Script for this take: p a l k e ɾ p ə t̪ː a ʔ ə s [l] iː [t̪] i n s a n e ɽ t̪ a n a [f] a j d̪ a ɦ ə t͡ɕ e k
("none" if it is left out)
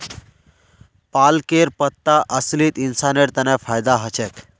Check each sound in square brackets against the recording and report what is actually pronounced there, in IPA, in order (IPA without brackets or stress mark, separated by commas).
l, t̪, f